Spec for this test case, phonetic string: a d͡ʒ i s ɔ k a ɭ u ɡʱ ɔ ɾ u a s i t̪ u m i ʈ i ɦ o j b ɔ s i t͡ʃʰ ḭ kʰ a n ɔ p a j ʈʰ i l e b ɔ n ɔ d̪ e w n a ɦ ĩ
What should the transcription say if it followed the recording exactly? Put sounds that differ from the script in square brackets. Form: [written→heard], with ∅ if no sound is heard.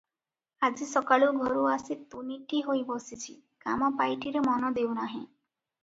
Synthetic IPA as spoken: a d͡ʒ i s ɔ k a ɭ u ɡʱ ɔ ɾ u a s i t̪ u [m→n] i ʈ i ɦ o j b ɔ s i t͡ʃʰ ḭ [kʰ→k] a [n→m] ɔ p a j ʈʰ i [l→ɾ] e [b→m] ɔ n ɔ d̪ e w n a ɦ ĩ